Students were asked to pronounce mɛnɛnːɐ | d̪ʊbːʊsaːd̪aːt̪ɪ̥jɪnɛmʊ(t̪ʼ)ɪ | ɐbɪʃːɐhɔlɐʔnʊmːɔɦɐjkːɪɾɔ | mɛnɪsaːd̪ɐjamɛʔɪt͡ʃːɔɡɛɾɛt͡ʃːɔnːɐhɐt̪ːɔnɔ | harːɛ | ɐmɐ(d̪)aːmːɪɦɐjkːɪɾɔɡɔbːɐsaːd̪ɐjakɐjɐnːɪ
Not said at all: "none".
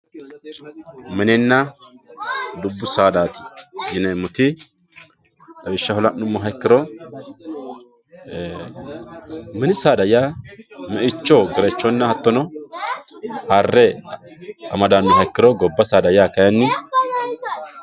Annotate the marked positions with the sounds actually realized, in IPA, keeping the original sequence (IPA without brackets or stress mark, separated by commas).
t̪, d̪